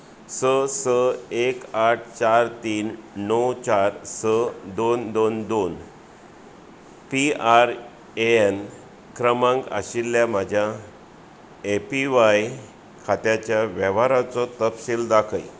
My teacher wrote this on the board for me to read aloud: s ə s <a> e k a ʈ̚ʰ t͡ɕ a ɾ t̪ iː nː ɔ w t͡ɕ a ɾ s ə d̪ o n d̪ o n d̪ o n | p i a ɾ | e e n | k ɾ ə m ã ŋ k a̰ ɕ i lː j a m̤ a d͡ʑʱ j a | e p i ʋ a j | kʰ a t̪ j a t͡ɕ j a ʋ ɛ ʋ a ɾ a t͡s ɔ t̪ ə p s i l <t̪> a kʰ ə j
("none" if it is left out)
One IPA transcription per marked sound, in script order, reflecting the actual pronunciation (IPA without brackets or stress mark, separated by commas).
ə, d̪